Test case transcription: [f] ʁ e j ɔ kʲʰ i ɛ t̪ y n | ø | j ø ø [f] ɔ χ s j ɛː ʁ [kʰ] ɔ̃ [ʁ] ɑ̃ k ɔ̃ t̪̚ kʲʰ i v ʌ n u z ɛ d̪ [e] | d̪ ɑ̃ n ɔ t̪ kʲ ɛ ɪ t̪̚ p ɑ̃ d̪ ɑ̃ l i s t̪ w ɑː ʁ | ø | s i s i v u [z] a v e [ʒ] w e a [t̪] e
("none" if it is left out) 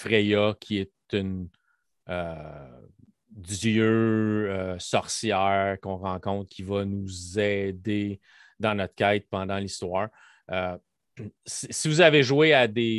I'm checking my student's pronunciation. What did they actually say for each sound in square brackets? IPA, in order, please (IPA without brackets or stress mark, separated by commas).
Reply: f, s, k, ʁ, e, z, ʒ, d̪